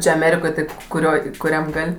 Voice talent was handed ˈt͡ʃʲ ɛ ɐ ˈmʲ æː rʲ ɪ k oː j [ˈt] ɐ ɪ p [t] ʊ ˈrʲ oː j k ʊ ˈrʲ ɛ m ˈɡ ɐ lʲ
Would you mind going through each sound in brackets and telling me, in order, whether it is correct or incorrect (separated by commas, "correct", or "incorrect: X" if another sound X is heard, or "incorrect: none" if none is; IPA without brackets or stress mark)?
correct, incorrect: k